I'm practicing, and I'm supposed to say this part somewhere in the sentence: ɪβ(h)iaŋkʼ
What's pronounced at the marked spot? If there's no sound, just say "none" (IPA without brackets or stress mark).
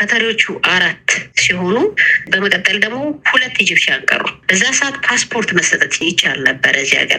ʃ